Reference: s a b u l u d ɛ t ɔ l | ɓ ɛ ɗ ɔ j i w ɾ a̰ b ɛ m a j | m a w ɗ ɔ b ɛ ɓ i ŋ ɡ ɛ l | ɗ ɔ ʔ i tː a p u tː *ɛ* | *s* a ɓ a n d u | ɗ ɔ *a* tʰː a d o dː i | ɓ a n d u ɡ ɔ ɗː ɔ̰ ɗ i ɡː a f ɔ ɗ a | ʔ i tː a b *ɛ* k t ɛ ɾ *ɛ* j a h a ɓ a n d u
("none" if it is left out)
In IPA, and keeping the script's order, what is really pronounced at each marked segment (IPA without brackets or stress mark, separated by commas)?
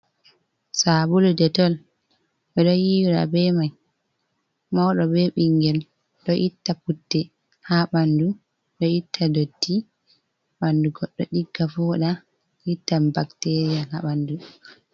ɛ, h, i, a, i